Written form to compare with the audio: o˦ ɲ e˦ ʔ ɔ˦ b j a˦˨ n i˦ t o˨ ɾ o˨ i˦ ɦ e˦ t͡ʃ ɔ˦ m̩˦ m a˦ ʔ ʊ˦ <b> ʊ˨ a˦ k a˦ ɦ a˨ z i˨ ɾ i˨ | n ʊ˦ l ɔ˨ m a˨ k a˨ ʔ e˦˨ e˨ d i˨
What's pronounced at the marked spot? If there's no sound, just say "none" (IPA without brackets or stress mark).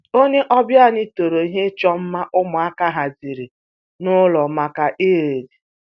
m